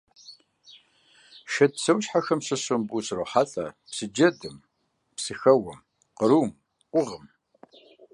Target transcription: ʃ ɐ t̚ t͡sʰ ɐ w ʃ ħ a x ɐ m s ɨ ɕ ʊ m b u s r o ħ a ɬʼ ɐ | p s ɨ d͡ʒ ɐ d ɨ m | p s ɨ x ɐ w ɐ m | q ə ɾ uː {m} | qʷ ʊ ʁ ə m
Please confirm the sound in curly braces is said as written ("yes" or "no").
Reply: yes